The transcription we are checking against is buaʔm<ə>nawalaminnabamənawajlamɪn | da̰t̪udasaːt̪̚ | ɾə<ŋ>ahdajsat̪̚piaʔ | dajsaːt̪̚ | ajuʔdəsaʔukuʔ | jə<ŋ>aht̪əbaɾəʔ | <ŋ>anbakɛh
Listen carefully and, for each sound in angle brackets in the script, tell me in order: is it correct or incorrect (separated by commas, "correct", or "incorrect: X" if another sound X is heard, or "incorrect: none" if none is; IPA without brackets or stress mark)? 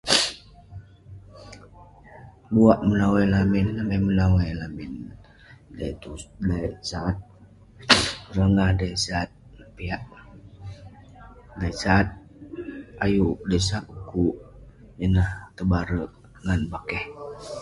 correct, correct, incorrect: n, correct